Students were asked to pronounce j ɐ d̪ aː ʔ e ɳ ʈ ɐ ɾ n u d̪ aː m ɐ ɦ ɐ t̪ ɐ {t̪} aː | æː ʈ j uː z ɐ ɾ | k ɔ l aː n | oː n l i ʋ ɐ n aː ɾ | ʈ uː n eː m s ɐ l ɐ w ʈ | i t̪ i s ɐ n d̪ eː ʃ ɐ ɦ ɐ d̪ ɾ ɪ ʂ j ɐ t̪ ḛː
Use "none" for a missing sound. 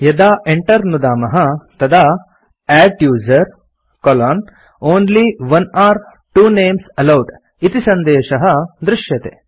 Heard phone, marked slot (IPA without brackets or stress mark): d̪